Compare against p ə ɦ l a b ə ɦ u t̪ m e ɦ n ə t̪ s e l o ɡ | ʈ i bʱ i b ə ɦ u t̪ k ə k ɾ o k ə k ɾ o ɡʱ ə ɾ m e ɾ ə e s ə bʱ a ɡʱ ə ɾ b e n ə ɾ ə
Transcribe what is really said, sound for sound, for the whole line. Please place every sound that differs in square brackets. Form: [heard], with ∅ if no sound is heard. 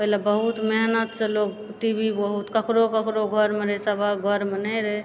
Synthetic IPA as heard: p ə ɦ l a b ə ɦ u t̪ m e ɦ n ə t̪ s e l o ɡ | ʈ i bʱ i b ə ɦ u t̪ k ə k ɾ o k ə k ɾ o ɡʱ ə ɾ m e ɾ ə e s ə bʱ a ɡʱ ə ɾ [m] e n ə ɾ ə